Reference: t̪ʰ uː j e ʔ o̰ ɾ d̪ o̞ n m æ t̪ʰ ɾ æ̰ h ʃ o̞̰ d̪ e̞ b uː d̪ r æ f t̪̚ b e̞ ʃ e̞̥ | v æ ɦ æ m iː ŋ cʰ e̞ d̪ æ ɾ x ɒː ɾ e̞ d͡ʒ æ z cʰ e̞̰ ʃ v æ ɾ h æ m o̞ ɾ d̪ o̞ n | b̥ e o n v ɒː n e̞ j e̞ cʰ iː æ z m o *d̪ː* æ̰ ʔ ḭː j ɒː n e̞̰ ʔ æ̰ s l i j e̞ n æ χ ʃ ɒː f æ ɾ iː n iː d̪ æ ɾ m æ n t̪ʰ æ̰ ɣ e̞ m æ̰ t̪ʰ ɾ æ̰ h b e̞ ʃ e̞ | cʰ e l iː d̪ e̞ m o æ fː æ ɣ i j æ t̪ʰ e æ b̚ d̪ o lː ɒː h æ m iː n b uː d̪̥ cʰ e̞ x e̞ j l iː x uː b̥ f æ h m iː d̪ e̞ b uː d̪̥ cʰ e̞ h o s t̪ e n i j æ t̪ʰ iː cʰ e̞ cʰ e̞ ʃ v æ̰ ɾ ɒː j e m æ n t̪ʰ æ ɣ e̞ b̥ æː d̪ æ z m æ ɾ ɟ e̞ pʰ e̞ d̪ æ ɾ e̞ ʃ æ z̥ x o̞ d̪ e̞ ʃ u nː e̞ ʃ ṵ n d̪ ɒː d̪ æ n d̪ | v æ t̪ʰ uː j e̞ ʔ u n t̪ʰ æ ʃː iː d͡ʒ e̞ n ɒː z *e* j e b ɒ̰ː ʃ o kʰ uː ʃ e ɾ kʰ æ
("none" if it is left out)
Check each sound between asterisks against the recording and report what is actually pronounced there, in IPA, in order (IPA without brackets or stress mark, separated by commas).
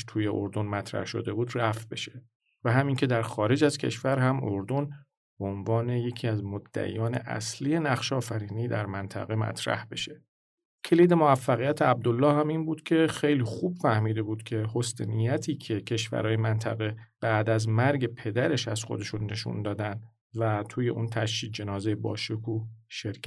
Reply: d̪ː, e